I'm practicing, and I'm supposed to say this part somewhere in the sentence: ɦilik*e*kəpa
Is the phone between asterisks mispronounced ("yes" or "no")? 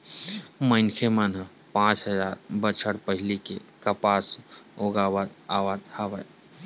no